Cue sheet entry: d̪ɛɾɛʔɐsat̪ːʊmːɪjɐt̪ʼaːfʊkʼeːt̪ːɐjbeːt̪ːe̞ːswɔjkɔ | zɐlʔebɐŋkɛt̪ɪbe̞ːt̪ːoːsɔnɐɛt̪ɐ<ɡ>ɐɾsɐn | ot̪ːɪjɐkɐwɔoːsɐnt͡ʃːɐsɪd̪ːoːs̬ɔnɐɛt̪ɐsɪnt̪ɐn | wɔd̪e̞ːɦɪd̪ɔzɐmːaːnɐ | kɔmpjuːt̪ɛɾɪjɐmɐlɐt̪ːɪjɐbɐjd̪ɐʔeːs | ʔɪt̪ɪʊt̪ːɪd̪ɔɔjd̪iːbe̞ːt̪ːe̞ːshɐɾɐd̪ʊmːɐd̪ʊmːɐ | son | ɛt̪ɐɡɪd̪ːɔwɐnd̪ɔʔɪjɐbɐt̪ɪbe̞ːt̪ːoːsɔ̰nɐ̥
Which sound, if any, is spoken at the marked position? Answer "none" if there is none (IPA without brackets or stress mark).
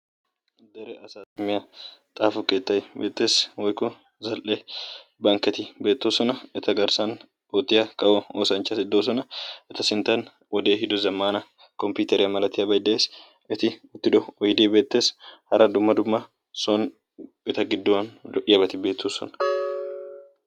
ɡ